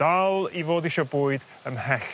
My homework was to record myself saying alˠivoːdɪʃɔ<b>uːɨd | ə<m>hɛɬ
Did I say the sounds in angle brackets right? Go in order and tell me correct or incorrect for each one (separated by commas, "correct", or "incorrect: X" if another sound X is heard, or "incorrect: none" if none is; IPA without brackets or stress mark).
correct, correct